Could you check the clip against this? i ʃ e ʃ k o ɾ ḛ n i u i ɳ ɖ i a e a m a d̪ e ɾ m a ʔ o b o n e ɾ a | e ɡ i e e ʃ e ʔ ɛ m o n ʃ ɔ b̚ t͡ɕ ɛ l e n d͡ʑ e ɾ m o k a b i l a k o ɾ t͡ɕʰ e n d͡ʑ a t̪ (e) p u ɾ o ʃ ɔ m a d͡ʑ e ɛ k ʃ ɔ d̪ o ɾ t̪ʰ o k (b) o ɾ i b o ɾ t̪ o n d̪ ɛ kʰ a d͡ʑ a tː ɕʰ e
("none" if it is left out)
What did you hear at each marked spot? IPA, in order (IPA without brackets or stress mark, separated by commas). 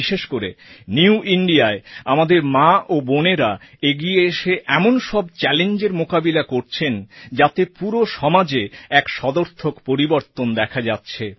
e, p